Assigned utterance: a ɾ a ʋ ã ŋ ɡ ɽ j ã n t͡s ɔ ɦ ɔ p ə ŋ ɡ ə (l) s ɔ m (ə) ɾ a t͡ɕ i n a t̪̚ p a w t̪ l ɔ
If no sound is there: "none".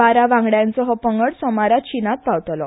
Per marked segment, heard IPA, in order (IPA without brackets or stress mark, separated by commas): ɽ, a